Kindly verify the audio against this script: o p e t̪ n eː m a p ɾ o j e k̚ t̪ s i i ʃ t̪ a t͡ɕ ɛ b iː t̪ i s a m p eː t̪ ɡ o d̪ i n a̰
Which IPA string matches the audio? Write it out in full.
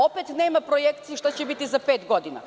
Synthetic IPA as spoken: o p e t̪ n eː m a p ɾ o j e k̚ t̪ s i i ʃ t̪ a t͡ɕ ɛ b i t̪ i z a p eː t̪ ɡ o d̪ i n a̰